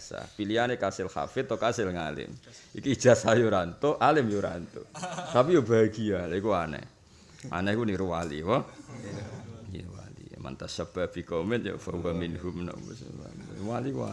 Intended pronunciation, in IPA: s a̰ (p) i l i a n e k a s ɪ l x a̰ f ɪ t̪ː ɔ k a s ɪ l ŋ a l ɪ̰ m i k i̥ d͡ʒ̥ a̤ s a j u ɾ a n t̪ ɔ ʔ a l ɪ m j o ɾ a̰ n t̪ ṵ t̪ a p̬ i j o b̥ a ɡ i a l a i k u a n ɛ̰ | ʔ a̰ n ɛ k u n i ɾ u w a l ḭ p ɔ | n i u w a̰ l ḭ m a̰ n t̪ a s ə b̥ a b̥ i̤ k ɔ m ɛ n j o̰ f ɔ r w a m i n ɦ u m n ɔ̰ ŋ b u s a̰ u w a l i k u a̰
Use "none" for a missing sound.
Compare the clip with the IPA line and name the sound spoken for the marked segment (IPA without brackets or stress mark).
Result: p